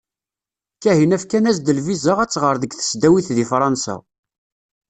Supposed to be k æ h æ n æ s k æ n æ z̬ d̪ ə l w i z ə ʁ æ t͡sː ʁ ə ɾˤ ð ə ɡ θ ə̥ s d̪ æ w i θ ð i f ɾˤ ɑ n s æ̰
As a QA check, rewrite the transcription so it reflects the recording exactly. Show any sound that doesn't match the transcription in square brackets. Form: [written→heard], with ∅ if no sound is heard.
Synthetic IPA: k æ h [æ→i] n æ [s→f] k æ n æ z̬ d̪ ə l [w→v] i z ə ʁ æ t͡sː ʁ ə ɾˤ ð ə ɡ θ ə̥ s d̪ æ w i θ ð i f ɾˤ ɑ n s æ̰